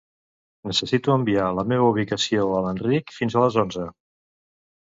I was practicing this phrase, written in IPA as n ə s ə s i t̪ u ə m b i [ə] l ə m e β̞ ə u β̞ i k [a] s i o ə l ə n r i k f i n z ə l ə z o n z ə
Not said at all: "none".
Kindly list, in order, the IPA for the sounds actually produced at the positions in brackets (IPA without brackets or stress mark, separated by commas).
a, ə